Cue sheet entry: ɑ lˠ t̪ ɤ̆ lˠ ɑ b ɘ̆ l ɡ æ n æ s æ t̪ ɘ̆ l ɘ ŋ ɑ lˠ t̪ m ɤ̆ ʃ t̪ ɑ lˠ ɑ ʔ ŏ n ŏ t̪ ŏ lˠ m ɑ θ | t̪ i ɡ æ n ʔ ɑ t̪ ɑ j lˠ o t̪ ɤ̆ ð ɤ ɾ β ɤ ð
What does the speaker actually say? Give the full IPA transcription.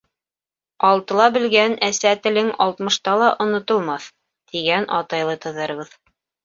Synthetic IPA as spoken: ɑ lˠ t̪ ɤ̆ lˠ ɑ b ɘ̆ l ɡ æ n æ s æ t̪ ɘ̆ l ɘ ŋ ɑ lˠ t̪ m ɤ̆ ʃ t̪ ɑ lˠ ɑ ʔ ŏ n ŏ t̪ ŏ lˠ m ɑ θ | t̪ i ɡ æ n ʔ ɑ t̪ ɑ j lˠ ɤ t̪ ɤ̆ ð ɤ ɾ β ɤ ð